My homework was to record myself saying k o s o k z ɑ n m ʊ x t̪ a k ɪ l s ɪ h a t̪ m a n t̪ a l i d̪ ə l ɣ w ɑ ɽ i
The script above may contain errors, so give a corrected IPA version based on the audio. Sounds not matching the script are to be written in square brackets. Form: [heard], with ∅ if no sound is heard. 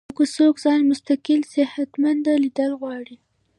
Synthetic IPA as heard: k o s o k z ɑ n m ʊ [s] t̪ a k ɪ l s ɪ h a t̪ m a n [d̪] a l i d̪ ə l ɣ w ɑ ɽ i